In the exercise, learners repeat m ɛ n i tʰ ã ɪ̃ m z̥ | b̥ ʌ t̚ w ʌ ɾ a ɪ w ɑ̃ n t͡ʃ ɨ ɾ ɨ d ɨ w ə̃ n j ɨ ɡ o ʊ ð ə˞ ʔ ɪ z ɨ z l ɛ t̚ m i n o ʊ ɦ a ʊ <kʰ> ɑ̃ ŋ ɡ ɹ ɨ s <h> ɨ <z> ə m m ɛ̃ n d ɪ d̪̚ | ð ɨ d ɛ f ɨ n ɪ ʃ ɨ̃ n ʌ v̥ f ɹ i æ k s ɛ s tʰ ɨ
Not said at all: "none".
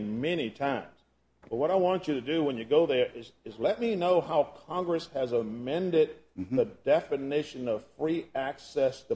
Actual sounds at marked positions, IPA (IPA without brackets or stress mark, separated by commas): kʰ, h, z